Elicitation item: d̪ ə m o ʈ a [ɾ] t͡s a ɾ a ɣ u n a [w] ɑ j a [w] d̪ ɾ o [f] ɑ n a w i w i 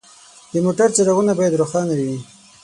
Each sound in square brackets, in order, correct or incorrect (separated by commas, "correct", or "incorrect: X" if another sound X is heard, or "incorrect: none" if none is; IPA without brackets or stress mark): correct, incorrect: b, incorrect: none, incorrect: x